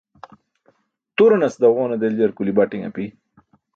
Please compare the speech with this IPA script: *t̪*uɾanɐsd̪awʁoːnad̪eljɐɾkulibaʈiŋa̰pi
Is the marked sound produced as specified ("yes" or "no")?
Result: yes